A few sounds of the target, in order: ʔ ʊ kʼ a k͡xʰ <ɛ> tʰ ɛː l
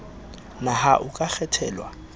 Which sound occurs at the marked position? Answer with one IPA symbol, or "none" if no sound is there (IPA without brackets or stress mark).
ɛ